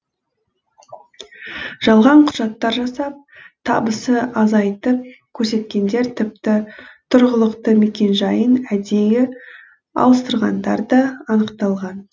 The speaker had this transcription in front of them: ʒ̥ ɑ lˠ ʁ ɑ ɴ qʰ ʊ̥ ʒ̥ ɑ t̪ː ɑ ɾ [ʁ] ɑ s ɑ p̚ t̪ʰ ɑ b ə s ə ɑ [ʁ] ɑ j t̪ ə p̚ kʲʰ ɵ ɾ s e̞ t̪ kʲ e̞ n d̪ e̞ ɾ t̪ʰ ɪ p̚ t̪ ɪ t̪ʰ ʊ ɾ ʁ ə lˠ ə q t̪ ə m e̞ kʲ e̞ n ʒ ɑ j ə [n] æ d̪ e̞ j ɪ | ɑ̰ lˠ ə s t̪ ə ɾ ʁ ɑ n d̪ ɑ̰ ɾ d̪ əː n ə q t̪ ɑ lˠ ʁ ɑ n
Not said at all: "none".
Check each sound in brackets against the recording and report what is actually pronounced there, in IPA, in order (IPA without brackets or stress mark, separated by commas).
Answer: ʒ, z, n